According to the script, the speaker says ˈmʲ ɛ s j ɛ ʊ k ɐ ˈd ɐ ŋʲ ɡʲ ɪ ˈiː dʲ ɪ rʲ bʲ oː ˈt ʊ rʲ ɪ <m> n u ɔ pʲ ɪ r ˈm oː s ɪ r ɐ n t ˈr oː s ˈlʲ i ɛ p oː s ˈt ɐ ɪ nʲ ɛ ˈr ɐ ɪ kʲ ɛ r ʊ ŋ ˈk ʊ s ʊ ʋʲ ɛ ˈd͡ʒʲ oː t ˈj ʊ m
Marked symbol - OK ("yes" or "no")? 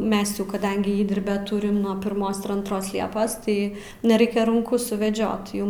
yes